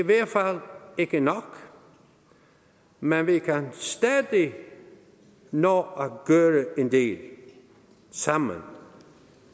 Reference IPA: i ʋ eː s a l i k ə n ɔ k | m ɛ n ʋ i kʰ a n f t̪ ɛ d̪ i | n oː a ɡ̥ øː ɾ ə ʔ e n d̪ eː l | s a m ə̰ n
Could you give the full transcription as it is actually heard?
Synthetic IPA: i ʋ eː f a l ɪ k ə n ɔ k | m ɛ n ʋ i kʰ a n s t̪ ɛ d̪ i | n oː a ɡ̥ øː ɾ ə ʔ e n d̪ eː l | s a m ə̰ n